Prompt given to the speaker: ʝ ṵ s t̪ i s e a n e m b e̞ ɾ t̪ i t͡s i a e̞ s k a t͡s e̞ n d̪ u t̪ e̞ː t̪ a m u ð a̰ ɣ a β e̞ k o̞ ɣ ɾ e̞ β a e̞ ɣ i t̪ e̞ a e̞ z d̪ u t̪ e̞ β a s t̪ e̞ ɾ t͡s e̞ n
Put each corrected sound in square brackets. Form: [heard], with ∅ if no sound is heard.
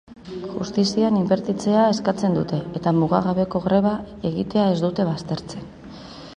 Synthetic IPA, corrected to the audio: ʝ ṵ s t̪ i s [i] a n [i] m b e̞ ɾ t̪ i t͡s [e] a e̞ s k a t͡s e̞ n d̪ u t̪ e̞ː t̪ a m u [ɣ] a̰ ɣ a β e̞ k o̞ ɣ ɾ e̞ β a e̞ ɣ i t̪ e̞ a e̞ z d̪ u t̪ e̞ β a s t̪ e̞ ɾ t͡s e̞ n